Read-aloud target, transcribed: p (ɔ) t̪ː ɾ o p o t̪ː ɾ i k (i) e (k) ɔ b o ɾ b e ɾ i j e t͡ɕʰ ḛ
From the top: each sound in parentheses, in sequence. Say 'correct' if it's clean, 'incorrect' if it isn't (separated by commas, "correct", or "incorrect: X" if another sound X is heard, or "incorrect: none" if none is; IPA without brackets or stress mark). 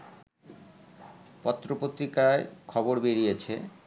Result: correct, incorrect: a, incorrect: kʰ